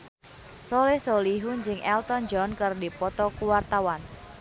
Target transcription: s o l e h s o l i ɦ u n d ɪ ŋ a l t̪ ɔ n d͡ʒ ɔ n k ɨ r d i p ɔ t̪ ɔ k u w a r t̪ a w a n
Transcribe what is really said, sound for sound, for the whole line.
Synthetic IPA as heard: s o l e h s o l i ɦ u n d͡ʒ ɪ ŋ ɛ l t̪ ɔ n d͡ʒ ɔ n k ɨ r d i p ɔ t̪ ɔ k u w a r t̪ a w a n